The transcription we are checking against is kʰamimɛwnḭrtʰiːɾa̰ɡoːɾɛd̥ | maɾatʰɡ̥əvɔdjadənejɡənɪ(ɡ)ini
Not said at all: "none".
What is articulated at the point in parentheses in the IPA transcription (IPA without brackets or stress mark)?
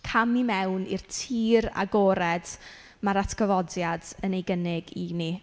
ɡ